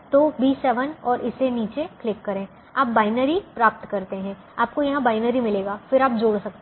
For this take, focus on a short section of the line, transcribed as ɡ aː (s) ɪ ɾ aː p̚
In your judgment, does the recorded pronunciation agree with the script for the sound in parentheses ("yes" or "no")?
no